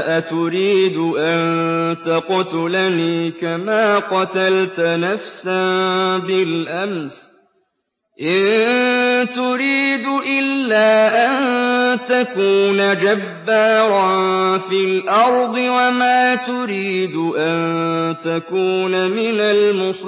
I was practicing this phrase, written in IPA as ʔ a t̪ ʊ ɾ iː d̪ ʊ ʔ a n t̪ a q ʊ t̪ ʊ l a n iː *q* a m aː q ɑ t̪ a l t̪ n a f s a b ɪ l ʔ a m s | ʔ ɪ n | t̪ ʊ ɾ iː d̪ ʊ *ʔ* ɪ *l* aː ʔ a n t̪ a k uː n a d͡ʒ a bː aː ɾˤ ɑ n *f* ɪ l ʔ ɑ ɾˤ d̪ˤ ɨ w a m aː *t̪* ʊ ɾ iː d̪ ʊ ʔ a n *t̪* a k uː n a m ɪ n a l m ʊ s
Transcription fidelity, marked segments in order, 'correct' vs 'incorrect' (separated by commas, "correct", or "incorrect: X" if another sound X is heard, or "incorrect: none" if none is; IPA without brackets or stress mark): incorrect: k, correct, incorrect: lː, correct, correct, correct